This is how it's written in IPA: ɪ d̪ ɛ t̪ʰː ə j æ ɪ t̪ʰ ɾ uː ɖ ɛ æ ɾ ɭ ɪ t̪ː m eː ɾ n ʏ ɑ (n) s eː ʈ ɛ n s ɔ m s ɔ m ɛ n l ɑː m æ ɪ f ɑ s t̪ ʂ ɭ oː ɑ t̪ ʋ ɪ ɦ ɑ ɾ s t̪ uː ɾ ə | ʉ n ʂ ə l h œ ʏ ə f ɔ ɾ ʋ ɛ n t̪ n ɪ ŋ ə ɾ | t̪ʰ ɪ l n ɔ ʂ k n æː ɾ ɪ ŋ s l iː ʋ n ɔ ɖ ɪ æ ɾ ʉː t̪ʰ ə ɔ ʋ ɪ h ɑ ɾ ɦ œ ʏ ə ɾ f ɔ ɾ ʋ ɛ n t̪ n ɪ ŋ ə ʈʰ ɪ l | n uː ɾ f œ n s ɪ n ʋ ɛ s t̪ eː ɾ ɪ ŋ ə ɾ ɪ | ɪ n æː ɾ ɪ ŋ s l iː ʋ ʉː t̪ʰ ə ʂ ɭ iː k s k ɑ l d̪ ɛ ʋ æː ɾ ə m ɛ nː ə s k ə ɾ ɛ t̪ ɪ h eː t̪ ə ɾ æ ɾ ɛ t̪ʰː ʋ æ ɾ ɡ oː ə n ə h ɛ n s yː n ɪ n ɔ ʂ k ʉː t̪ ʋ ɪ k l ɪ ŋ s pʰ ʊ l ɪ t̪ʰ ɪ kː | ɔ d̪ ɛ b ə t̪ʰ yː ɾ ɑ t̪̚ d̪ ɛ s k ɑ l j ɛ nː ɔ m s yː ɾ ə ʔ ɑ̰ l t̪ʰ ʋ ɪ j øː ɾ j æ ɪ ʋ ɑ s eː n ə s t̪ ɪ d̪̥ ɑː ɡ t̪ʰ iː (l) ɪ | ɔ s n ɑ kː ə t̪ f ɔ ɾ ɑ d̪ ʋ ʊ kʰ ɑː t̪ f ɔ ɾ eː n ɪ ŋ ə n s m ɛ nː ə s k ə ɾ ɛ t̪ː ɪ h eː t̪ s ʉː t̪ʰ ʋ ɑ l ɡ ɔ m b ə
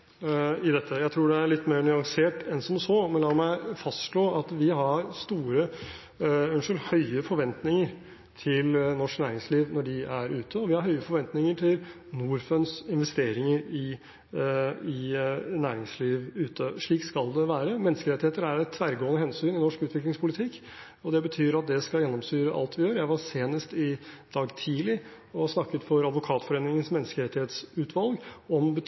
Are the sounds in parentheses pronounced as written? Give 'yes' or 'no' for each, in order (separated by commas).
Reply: no, yes